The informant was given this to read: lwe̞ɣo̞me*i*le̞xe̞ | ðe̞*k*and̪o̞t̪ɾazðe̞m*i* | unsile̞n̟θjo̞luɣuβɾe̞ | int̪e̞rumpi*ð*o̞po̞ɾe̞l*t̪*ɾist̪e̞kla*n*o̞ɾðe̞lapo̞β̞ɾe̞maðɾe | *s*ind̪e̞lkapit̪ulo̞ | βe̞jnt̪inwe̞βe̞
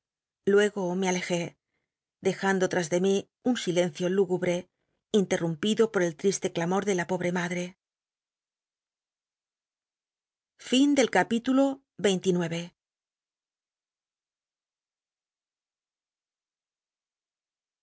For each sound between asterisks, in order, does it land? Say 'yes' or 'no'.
no, no, yes, yes, yes, no, no

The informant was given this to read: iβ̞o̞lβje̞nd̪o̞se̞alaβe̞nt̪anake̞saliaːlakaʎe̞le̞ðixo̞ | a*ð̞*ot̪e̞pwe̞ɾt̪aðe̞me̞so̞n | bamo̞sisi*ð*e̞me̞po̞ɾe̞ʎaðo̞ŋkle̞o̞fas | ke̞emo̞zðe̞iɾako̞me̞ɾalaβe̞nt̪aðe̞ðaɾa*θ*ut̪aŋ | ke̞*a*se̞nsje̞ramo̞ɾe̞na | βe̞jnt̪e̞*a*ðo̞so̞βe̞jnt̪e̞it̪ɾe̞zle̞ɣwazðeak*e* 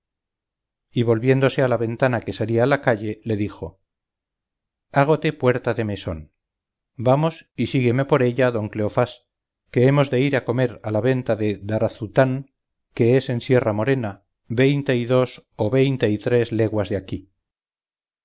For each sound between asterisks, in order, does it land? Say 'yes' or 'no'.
no, no, yes, no, no, no

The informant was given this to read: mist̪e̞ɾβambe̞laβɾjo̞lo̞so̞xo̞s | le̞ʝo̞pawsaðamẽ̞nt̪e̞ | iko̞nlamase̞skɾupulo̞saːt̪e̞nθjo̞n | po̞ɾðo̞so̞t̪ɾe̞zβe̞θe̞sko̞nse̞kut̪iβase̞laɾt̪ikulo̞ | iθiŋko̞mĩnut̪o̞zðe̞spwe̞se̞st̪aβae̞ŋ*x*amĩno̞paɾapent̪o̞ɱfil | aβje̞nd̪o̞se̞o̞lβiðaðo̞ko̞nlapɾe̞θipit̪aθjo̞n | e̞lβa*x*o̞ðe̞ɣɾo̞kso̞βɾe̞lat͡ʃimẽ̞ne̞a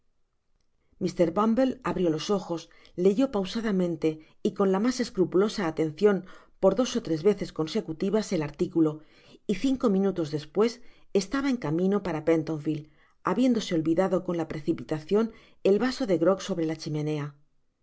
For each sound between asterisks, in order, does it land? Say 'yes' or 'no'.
no, no

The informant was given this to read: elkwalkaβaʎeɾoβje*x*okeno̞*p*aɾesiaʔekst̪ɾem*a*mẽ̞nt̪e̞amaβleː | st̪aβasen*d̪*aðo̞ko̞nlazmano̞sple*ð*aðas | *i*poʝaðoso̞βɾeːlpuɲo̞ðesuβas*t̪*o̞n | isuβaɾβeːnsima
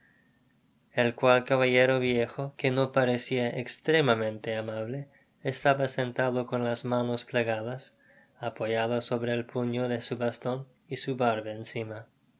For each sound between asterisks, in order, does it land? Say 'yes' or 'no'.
yes, yes, yes, no, no, no, yes

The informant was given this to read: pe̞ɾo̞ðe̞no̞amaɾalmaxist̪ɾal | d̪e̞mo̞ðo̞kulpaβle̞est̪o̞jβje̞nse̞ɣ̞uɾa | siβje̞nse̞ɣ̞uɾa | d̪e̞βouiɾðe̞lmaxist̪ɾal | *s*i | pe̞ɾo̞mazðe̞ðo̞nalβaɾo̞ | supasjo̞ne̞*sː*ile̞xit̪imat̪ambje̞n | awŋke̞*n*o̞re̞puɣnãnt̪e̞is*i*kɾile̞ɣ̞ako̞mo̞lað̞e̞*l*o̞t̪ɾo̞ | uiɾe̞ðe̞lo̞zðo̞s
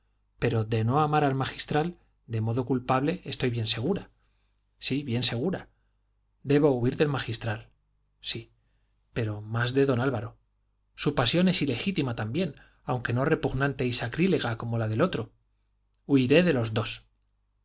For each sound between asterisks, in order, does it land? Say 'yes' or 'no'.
yes, no, yes, no, yes

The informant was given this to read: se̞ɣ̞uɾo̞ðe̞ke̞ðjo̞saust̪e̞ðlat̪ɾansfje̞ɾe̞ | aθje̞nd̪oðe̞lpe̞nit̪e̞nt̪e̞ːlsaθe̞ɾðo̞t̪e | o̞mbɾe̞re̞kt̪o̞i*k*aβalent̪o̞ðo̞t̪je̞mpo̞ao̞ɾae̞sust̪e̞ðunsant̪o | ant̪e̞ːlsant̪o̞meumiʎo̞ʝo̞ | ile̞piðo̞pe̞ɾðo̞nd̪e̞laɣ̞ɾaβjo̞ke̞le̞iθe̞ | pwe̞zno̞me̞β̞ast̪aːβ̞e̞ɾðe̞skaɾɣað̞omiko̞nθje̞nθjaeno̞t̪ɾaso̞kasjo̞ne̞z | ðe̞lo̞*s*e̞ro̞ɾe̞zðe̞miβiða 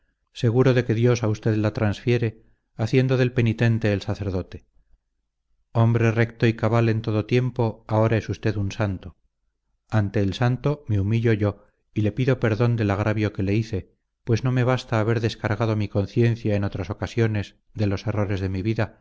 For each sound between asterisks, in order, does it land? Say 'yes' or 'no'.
yes, yes

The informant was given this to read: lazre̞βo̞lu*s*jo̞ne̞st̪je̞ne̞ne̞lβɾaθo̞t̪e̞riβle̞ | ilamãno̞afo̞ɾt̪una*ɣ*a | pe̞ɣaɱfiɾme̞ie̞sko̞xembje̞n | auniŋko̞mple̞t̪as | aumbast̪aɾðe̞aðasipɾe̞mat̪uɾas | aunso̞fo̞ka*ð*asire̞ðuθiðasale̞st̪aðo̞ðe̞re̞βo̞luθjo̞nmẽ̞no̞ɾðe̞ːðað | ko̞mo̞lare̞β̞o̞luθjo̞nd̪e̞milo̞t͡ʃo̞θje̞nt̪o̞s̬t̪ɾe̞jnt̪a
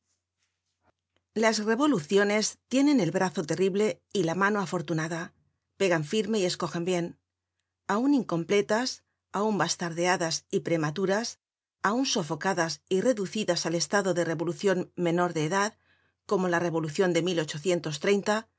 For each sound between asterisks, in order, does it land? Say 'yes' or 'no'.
no, no, yes

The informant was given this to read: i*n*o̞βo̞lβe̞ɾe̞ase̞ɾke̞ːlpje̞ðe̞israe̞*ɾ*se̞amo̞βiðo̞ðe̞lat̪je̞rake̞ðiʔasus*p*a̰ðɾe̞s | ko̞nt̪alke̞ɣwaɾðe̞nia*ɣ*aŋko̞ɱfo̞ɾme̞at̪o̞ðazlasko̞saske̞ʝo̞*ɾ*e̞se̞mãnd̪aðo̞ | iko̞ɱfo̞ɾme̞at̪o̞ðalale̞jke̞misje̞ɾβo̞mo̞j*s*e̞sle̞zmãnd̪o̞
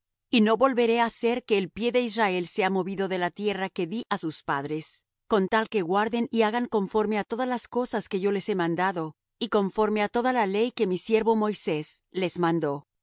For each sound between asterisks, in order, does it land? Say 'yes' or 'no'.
yes, no, yes, yes, no, yes

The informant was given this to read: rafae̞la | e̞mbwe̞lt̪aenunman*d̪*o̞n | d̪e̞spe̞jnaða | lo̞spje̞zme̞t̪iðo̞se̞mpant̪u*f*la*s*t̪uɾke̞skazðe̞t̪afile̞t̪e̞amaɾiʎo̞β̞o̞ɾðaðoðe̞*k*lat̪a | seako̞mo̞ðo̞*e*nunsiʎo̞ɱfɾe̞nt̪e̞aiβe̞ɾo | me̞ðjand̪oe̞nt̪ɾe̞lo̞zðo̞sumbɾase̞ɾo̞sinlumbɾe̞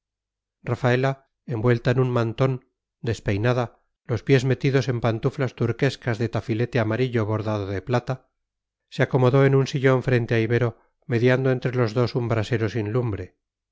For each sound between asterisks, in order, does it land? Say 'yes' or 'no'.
no, yes, yes, no, yes

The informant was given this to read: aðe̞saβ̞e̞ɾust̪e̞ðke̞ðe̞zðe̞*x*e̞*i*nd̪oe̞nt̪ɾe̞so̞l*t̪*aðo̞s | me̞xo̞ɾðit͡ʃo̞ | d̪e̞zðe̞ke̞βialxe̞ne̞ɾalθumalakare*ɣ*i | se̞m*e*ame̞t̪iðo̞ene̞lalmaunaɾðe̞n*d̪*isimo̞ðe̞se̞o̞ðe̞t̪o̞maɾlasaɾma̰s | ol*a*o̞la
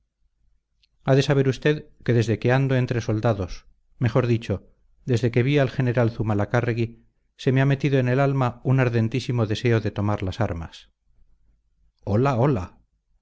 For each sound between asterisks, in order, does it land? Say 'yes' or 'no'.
no, no, no, yes, yes, no, yes

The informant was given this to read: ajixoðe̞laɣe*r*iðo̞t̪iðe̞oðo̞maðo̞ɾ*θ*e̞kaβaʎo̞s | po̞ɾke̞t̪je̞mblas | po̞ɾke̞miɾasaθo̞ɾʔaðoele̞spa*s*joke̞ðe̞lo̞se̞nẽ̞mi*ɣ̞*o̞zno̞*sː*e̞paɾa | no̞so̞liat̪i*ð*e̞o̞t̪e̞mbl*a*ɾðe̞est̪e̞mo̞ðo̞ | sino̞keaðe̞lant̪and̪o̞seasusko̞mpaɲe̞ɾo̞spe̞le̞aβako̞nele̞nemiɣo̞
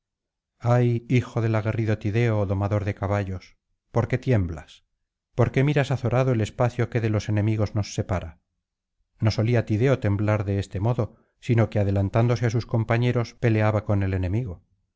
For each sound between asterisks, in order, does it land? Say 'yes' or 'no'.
yes, no, no, yes, yes, yes, yes

